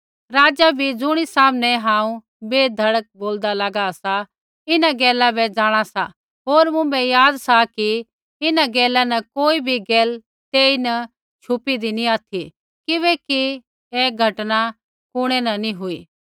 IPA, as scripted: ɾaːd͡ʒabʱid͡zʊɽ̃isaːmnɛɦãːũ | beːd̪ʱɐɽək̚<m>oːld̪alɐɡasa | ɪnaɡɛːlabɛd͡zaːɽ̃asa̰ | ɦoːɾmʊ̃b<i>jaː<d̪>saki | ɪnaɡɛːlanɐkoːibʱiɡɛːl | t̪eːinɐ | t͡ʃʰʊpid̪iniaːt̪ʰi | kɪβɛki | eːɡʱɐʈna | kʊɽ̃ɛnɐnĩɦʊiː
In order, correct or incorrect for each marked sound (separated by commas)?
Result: incorrect, incorrect, correct